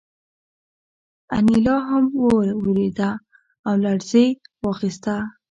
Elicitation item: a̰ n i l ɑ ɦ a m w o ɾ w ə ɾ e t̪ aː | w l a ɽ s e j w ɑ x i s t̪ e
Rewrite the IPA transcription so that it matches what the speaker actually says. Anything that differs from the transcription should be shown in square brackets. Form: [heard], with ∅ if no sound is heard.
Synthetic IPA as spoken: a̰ n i l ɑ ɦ a m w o ɾ w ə ɾ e [d̪] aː | w l a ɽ [z] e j w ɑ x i s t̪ [a]